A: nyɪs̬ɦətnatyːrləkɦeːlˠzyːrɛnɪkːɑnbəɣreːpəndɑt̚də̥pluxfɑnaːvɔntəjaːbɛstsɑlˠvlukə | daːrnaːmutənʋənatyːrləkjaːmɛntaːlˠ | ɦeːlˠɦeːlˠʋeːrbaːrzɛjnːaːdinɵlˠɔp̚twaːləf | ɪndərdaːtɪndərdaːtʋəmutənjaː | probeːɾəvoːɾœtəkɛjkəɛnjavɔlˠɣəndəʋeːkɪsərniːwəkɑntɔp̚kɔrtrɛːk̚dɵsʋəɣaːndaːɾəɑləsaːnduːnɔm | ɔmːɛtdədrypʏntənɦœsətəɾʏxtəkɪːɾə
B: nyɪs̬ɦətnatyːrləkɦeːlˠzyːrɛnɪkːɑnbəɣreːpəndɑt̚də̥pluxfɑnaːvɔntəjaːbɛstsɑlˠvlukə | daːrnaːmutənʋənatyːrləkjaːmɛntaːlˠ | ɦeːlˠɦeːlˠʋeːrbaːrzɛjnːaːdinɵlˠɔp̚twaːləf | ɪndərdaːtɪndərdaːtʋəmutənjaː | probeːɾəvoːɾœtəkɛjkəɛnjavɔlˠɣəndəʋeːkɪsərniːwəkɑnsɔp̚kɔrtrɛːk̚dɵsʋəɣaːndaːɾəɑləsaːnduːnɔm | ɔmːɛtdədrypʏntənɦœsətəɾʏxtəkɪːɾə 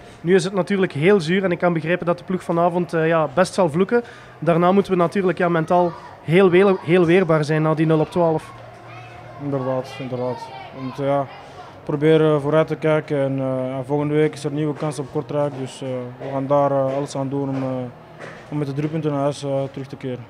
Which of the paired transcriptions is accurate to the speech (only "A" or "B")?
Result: B